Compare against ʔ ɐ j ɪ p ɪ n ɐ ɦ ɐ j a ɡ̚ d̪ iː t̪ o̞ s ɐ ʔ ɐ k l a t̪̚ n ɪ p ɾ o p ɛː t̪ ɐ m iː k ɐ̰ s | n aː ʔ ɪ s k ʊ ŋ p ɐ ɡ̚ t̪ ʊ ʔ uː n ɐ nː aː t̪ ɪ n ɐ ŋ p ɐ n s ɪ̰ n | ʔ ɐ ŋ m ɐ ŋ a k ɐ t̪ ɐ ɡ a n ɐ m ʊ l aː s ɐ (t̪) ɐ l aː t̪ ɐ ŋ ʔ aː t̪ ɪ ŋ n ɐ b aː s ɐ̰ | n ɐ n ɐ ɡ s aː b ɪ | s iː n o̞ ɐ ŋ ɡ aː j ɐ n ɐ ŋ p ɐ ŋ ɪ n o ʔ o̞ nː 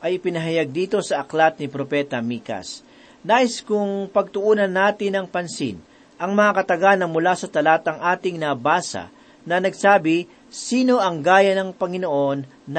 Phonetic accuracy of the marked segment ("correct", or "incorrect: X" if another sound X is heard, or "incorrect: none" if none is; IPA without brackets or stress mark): correct